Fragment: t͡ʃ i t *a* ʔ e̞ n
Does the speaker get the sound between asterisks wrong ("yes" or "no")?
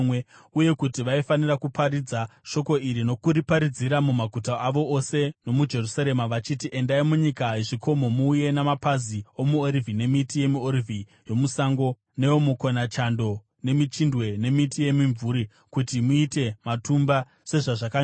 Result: yes